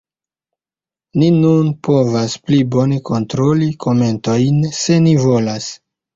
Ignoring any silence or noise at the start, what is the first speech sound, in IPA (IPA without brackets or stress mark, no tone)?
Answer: n